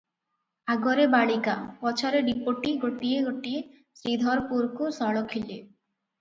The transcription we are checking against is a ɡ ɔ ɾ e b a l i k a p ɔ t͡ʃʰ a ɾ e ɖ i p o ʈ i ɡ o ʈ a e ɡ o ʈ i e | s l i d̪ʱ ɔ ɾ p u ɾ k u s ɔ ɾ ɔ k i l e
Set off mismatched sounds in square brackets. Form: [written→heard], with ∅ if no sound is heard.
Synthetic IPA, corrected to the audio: a ɡ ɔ ɾ e b a [l→ɭ] i k a p ɔ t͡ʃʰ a ɾ e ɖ i p o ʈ i ɡ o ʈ [a→i] e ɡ o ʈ i e | s [l→ɾ] i d̪ʱ ɔ ɾ p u ɾ k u s ɔ [ɾ→ɭ] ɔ [k→kʰ] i l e